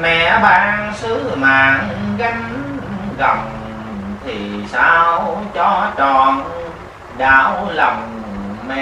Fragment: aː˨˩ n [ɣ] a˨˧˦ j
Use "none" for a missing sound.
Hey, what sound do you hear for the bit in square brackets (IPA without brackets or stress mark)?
ɣ